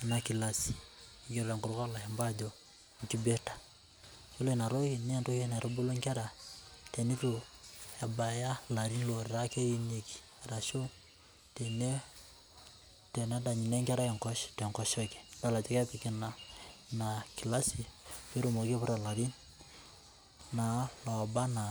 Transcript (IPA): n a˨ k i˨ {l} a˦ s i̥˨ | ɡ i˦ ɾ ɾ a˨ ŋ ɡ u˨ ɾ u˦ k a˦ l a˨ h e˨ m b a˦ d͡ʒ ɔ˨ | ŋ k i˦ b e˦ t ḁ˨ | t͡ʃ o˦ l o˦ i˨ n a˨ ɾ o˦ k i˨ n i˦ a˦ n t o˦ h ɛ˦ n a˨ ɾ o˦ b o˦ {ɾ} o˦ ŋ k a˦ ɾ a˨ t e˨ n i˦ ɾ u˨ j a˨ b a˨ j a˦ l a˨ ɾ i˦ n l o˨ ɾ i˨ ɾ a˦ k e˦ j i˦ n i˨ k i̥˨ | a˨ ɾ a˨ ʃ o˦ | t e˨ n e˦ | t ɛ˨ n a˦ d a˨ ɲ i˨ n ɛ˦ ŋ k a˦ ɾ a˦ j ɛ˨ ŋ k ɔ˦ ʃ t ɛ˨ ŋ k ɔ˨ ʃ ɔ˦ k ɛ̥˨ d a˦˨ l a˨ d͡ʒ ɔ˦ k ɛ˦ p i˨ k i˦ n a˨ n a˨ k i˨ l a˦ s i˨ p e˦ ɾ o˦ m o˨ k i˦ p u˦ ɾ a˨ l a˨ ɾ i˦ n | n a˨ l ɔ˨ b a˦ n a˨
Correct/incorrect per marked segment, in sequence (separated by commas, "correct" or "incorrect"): correct, incorrect